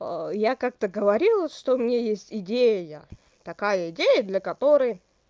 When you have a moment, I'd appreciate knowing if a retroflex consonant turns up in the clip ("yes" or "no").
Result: yes